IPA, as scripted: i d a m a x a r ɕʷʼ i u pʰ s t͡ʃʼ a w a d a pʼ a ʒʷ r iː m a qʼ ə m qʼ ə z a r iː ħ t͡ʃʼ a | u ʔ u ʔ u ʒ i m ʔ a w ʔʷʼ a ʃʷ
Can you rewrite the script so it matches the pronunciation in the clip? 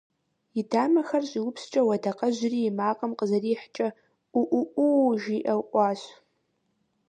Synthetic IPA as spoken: i d a m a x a r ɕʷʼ i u pʰ s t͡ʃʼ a w a d a qʼ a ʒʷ r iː m a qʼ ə m qʼ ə z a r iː ħ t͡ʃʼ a | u ʔ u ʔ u ʒ i ʔ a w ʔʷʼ a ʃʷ